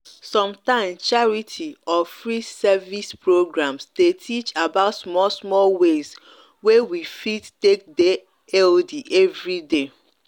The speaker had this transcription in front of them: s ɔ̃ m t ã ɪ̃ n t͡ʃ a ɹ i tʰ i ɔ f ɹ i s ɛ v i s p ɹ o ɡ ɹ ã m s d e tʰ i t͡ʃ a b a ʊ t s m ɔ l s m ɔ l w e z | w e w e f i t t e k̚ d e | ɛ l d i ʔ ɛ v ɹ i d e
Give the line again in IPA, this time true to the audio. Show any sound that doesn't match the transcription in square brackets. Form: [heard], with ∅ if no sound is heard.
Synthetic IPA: s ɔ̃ m t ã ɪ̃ [m] t͡ʃ a ɹ i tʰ i ɔ f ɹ i s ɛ v i s p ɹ o ɡ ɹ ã m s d e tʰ i t͡ʃ a b a ʊ t s m ɔ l s m ɔ l w e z | w e w [i] f i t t e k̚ d e | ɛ l d i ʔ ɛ v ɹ i d e